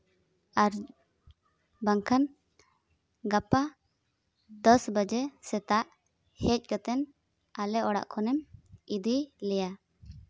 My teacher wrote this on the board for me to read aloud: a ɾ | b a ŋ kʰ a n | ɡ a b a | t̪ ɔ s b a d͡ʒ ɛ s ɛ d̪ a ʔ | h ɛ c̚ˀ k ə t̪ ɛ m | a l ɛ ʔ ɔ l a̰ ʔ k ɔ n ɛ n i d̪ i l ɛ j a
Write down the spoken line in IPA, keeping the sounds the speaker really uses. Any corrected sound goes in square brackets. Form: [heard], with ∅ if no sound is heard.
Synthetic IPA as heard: a ɾ | b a ŋ kʰ a n | ɡ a [p] a | [d̪] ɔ s b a d͡ʒ ɛ s ɛ [t̪] a ʔ | h ɛ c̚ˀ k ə t̪ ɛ [n] | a l ɛ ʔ ɔ [ɽ] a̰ ʔ [kʰ] ɔ n ɛ [m] i d̪ i l ɛ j a